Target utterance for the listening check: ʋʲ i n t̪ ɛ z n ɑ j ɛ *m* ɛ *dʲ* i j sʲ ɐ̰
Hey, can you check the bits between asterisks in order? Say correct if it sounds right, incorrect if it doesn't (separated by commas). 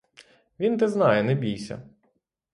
incorrect, incorrect